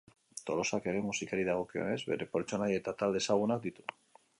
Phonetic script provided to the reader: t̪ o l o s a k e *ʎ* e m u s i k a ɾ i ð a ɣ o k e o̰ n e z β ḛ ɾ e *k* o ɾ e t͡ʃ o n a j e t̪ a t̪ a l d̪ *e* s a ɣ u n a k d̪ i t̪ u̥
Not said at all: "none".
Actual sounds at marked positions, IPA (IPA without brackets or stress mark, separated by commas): ɾ, p, e